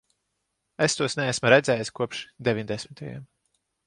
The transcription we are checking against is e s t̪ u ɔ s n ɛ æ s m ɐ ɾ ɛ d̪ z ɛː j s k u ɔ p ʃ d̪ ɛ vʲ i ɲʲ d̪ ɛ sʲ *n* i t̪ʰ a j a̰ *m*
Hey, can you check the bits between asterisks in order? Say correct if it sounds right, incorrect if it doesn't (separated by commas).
incorrect, correct